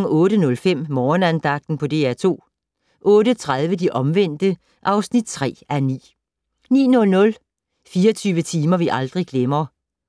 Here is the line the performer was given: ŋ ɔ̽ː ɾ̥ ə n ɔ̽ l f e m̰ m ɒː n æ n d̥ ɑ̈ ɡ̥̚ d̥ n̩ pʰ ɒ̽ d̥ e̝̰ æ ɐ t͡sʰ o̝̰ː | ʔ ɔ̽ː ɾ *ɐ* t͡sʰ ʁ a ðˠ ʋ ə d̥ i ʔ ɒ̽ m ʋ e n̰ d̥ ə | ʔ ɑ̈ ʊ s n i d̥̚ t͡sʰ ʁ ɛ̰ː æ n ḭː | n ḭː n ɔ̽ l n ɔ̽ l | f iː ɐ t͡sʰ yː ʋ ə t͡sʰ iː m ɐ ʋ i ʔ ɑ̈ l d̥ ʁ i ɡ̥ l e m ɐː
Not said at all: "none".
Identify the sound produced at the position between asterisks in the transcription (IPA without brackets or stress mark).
ə